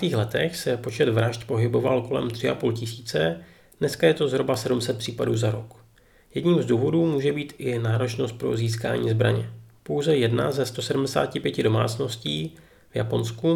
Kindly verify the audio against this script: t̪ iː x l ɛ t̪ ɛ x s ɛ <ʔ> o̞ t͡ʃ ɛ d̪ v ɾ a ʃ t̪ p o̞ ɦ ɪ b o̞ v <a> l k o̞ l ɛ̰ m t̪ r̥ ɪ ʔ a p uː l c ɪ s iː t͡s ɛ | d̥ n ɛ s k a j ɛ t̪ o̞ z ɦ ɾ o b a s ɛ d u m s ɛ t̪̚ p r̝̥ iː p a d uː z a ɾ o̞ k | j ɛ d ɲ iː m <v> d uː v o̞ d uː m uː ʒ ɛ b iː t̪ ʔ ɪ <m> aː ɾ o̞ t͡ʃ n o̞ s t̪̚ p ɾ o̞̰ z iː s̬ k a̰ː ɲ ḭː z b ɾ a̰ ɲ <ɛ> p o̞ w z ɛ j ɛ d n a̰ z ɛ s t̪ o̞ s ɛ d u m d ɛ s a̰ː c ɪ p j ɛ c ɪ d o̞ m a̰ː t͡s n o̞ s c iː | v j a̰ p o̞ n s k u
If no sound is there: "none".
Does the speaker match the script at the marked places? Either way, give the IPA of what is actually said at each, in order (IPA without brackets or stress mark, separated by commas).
p, a, z, n, ɛ